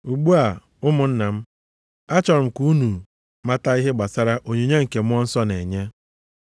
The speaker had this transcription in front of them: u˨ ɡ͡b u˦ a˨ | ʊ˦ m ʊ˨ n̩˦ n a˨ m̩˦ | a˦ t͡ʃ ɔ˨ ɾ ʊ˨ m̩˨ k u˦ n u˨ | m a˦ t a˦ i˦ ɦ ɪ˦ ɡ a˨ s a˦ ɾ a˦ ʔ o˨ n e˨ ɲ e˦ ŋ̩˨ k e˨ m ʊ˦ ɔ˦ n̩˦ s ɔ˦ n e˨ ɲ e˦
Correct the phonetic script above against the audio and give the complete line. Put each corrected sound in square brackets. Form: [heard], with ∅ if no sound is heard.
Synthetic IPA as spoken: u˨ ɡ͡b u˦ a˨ | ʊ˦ m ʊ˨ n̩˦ n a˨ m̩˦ | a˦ t͡ʃ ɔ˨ ɾ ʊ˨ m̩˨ k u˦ n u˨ | m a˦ t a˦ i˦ ɦ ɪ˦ [ɡ͡b] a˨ s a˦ ɾ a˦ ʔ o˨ [ɲ] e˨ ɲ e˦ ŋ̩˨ k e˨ m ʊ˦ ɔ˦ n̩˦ s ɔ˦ n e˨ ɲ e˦